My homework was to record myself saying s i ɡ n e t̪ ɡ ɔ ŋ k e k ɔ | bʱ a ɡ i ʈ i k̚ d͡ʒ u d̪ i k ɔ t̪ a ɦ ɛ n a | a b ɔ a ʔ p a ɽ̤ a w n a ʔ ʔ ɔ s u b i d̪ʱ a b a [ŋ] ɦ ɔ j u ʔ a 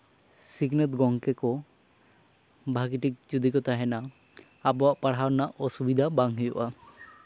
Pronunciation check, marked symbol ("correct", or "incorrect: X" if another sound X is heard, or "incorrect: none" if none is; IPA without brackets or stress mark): correct